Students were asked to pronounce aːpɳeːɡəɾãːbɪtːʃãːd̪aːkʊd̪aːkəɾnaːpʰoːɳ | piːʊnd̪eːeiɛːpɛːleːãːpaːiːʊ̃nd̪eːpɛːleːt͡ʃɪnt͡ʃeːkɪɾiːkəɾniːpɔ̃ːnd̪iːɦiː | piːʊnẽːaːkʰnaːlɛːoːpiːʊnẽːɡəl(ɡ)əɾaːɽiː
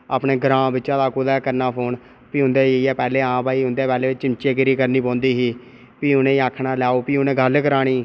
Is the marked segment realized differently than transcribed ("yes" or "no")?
yes